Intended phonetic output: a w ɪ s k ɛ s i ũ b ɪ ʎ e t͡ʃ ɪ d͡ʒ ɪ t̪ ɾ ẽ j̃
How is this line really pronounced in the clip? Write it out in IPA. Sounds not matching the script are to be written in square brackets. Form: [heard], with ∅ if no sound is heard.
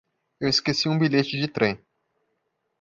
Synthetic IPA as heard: [e] w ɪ s k [e] s i ũ b [i] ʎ e t͡ʃ ɪ d͡ʒ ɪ t̪ ɾ ẽ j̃